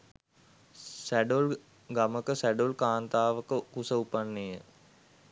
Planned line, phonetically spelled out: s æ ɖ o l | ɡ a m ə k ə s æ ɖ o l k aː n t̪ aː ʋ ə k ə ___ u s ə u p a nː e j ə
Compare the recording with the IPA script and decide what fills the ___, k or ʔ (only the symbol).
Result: k